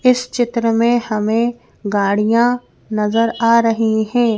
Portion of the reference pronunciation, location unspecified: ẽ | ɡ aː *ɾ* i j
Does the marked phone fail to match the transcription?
yes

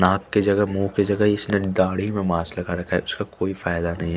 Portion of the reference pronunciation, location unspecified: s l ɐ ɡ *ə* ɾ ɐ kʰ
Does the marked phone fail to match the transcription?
yes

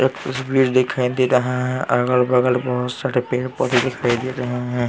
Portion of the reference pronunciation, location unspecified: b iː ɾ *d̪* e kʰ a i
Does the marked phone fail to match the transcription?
no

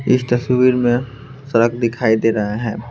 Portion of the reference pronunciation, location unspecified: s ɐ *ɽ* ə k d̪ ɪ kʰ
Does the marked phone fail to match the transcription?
yes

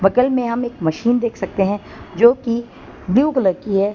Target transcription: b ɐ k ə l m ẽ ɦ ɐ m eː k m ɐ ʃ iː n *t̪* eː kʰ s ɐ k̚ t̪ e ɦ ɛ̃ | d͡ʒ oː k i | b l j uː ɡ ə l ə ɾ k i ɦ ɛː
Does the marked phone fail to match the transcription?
yes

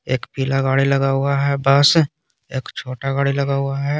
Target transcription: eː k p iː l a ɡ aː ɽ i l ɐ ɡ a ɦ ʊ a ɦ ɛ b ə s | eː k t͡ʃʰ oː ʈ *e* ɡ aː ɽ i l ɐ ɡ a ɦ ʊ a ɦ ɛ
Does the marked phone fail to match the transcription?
yes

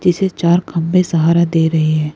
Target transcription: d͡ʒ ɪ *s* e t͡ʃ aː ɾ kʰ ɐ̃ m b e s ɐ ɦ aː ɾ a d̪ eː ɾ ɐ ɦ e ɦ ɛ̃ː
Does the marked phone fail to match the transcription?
no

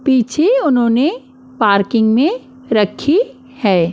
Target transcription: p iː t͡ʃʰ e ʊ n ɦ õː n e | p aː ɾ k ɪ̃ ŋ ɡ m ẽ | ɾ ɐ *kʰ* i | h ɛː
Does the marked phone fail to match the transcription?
no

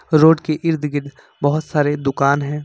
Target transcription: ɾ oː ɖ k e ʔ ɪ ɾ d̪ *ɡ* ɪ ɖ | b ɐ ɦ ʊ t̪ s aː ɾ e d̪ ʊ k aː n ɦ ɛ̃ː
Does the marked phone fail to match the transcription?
no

